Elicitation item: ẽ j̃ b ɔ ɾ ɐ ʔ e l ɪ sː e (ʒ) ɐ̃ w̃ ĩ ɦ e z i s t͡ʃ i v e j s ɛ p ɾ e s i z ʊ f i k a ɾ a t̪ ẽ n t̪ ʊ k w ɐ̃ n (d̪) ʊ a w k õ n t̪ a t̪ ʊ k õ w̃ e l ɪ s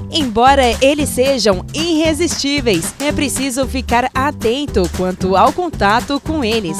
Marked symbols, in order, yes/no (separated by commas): yes, no